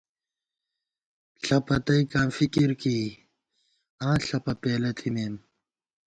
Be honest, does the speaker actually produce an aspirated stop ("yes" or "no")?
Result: yes